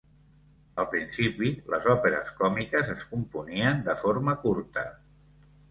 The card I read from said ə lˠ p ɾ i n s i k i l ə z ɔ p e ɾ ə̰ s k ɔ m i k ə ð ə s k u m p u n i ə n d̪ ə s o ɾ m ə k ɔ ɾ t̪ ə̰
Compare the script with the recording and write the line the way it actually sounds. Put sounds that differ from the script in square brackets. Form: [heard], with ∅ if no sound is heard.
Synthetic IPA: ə lˠ p ɾ i n s i [p] i l ə z ɔ p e ɾ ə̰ s k ɔ m i k ə [z] ə s k u m p u n i ə n d̪ ə [f] o ɾ m ə k [u] ɾ t̪ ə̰